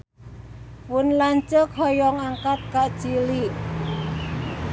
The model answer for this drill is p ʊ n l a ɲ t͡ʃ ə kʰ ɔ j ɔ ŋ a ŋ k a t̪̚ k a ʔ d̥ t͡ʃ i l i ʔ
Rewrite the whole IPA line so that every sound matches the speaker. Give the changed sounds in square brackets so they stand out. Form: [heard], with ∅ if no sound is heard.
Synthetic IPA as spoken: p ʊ n l a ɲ t͡ʃ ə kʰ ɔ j ɔ ŋ a ŋ k a t̪̚ k a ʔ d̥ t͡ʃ i l i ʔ